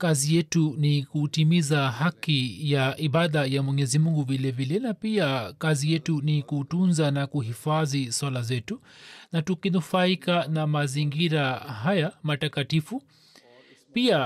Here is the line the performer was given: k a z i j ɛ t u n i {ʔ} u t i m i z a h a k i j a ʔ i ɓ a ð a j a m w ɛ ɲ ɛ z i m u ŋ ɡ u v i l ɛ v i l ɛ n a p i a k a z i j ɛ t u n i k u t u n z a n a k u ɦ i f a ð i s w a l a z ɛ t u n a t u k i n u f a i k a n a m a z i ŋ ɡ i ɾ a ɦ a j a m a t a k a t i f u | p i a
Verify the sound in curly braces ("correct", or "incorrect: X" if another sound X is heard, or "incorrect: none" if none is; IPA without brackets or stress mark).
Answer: incorrect: k